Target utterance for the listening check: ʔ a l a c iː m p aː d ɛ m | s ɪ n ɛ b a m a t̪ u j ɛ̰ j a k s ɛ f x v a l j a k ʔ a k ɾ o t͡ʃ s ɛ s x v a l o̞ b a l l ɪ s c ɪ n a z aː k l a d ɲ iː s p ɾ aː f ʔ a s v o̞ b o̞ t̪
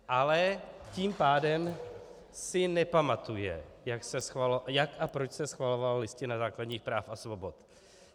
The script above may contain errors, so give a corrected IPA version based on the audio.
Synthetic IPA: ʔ a l ɛ c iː m p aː d ɛ m | s ɪ n ɛ p a m a t̪ u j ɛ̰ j a k s ɛ s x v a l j a k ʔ a p ɾ o t͡ʃ s ɛ s x v a l o̞ v a l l ɪ s c ɪ n a z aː k l a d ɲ iː x p ɾ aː f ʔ a s v o̞ b o̞ t̪